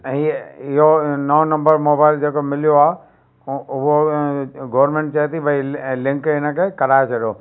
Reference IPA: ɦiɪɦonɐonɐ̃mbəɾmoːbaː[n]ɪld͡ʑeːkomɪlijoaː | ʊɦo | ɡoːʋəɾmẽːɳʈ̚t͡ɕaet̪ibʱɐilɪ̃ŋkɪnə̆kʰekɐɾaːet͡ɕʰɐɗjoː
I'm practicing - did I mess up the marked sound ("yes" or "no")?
yes